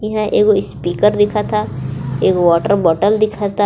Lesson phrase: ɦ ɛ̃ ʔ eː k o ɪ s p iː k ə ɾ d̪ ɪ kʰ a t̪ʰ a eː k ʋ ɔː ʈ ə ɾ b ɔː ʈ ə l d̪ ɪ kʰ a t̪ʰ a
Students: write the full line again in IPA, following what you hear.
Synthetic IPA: ɦ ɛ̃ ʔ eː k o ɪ s p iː k ə ɾ d̪ ɪ kʰ a t̪ʰ a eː k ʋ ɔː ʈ ə ɾ b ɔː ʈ ə l d̪ ɪ kʰ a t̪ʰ a